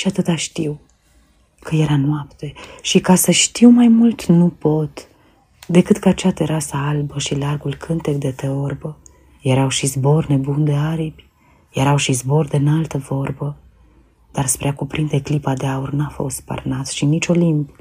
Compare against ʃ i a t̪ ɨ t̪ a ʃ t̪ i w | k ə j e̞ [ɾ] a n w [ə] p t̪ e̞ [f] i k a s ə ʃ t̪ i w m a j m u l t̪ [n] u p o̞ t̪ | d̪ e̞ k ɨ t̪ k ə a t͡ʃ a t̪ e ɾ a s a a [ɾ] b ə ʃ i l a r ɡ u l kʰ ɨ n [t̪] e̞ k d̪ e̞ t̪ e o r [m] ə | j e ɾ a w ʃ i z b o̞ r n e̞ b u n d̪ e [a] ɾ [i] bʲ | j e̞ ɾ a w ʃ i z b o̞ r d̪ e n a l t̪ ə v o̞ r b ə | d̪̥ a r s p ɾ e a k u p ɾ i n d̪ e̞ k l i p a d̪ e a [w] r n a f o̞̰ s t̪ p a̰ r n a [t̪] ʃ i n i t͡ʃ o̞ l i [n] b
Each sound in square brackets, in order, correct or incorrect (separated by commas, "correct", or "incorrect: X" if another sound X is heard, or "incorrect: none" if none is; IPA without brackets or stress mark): correct, incorrect: a, incorrect: ʃ, correct, incorrect: l, correct, incorrect: b, correct, correct, incorrect: u, correct, incorrect: m